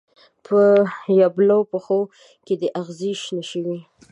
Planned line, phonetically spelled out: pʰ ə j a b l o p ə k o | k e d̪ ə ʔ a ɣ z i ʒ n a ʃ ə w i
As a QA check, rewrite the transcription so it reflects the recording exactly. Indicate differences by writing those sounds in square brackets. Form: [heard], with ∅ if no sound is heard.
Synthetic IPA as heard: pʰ ə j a b l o p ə [x] o | k e d̪ ə ʔ a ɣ z i [ʃ] n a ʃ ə w i